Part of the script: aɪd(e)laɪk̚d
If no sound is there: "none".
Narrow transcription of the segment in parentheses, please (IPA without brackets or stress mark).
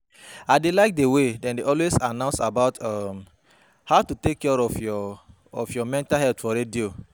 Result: e